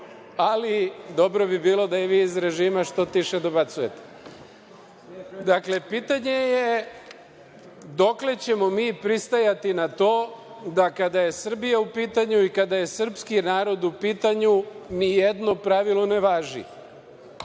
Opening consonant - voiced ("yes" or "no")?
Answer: yes